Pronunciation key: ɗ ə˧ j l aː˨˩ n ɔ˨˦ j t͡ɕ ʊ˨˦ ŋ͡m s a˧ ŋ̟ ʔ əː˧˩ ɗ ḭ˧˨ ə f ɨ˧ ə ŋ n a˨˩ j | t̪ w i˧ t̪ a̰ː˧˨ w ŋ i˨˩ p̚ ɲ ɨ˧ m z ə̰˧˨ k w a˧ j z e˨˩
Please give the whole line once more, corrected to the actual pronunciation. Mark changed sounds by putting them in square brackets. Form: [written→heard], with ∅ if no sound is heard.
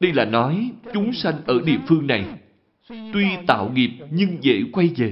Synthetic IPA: ɗ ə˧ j l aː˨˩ n ɔ˨˦ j t͡ɕ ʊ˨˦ ŋ͡m s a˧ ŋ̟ ʔ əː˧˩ ɗ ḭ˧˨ ə f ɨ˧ ə ŋ n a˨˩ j | t̪ w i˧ t̪ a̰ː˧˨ w ŋ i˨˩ p̚ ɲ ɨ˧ [m→ŋ] z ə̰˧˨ k w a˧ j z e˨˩